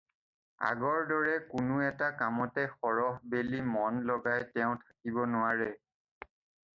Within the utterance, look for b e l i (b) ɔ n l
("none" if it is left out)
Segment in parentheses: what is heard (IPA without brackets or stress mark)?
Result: m